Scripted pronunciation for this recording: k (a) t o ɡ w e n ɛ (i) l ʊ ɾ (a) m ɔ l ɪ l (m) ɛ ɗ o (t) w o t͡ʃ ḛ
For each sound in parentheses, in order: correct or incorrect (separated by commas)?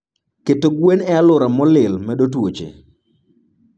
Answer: incorrect, incorrect, correct, correct, correct